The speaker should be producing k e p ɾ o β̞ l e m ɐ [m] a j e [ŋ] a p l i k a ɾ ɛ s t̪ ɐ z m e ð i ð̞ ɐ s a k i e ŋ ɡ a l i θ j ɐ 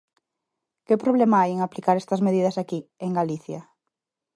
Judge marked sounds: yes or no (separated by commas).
no, yes